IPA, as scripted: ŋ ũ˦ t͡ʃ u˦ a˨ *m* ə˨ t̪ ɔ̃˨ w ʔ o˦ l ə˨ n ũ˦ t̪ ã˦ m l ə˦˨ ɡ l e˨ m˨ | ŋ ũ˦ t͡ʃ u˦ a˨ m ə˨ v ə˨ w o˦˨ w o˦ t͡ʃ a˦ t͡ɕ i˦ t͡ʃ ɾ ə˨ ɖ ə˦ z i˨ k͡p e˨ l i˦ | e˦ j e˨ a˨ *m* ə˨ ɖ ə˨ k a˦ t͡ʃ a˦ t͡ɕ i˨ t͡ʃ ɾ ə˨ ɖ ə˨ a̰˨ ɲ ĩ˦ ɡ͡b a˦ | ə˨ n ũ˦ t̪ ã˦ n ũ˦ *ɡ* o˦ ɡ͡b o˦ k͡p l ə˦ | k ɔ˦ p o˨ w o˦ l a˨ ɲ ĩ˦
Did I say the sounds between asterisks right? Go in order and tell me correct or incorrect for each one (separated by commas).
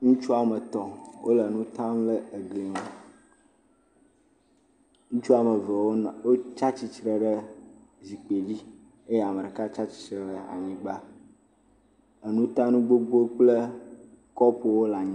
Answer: correct, correct, incorrect